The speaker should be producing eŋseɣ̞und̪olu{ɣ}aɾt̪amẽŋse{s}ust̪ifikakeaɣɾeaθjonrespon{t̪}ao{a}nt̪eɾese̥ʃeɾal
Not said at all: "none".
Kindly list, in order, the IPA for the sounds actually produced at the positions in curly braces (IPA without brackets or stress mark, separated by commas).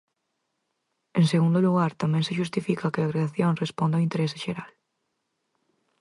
ɣ, ʃ, d̪, i